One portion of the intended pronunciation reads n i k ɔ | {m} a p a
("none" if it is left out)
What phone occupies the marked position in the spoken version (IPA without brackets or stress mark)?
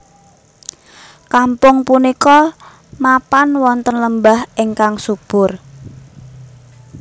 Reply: m